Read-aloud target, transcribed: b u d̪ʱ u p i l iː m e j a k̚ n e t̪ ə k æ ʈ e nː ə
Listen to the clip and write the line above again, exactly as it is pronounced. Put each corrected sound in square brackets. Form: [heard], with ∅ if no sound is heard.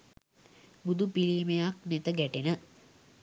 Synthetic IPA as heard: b u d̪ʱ u p i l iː m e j a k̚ n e t̪ ə [ɡ] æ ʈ e [n] ə